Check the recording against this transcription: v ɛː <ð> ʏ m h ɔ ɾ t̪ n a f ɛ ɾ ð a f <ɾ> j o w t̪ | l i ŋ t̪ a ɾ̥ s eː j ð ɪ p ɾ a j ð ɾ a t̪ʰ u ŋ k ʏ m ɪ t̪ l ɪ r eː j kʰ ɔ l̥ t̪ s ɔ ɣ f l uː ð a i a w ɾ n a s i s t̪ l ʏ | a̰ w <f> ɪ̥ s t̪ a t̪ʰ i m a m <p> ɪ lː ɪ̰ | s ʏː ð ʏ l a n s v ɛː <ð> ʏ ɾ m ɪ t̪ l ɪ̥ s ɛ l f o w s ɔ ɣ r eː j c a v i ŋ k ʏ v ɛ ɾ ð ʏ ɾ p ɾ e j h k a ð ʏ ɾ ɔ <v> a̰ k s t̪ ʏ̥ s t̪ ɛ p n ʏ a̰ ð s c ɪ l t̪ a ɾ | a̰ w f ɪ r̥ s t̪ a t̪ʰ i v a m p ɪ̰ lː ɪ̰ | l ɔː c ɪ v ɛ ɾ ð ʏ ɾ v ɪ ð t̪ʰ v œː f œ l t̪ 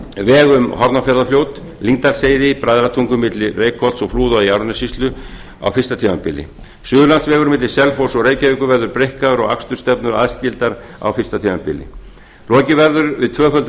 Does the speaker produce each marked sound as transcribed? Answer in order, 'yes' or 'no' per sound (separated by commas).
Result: no, no, yes, yes, no, no